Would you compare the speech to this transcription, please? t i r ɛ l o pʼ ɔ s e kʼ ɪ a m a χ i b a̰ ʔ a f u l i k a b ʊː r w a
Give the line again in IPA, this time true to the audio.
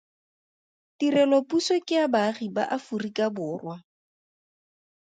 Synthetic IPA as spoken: t i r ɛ l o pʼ u s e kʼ ɪ a b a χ i b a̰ ʔ a f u r i k a b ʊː r w a